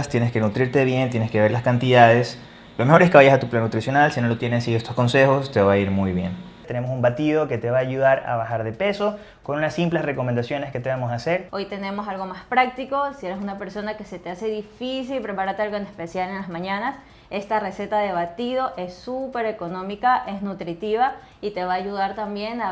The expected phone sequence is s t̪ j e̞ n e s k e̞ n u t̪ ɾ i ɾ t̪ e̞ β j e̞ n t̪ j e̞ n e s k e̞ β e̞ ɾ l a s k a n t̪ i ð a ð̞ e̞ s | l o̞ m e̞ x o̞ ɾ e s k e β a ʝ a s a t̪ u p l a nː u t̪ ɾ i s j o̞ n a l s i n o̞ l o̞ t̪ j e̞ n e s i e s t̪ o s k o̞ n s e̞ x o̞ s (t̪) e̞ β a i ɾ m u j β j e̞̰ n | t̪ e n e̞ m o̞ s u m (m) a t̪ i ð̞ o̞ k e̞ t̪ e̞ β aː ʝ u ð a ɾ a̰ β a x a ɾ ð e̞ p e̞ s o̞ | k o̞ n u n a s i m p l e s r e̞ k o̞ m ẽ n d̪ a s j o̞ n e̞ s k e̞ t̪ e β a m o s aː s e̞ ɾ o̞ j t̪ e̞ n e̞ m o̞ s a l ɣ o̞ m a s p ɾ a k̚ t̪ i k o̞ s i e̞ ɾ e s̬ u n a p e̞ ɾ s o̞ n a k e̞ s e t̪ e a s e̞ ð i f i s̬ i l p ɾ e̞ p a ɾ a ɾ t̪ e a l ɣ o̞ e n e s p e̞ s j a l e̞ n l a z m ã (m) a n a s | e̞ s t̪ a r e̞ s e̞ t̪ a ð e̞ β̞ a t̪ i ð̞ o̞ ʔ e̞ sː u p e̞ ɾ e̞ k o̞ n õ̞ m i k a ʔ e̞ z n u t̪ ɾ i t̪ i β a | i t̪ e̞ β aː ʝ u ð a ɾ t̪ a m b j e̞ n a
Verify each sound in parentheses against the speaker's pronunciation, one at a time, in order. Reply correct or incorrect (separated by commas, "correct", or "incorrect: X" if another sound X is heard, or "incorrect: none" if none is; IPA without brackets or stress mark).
correct, incorrect: b, incorrect: ɲ